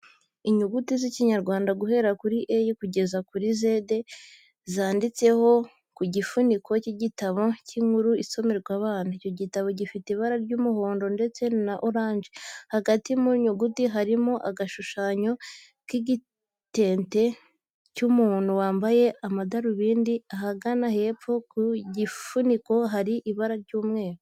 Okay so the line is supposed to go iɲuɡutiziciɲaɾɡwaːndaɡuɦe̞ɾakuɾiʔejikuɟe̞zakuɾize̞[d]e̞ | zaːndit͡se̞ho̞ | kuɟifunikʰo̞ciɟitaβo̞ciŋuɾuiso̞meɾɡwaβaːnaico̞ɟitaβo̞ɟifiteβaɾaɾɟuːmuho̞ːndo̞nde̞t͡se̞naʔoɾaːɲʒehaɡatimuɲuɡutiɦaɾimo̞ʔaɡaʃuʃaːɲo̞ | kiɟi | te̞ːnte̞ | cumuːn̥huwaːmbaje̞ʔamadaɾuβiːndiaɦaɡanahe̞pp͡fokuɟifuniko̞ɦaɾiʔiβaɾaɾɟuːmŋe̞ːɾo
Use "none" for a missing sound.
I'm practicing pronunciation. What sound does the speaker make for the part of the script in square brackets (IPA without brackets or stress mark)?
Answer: d